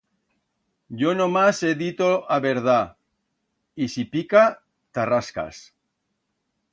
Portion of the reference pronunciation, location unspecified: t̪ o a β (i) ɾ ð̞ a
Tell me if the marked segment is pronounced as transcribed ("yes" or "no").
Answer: no